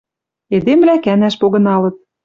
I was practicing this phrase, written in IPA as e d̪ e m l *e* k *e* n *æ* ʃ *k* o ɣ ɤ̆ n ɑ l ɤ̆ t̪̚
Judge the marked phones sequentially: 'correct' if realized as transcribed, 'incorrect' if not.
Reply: incorrect: æ, incorrect: æ, correct, incorrect: p

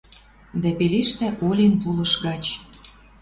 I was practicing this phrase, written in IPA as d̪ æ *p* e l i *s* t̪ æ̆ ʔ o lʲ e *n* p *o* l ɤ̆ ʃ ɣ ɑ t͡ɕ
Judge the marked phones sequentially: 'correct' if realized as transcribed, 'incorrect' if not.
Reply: correct, incorrect: ʃ, correct, incorrect: u

